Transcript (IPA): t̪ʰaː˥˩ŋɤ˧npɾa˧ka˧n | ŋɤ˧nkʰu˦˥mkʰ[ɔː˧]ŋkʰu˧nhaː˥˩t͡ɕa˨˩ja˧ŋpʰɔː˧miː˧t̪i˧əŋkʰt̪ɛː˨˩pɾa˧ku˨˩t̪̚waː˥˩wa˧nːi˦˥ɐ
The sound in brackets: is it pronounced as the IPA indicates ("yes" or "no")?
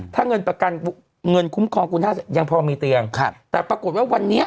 yes